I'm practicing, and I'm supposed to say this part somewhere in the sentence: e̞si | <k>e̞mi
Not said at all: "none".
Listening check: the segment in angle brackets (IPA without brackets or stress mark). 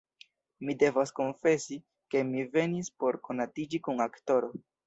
k